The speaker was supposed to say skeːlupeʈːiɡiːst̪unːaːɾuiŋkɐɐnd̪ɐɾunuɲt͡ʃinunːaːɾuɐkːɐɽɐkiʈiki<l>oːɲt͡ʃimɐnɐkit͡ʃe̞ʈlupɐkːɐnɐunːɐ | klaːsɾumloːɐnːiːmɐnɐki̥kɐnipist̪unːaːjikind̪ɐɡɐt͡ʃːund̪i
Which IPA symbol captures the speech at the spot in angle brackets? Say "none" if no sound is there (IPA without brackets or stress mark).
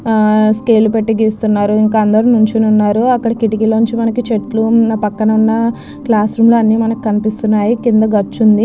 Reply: l